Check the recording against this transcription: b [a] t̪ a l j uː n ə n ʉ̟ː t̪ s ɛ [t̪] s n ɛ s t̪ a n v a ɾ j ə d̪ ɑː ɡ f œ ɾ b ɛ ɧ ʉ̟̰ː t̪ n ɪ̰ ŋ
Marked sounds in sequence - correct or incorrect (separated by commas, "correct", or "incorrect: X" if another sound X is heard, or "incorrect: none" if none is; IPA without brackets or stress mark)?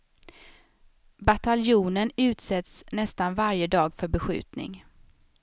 correct, correct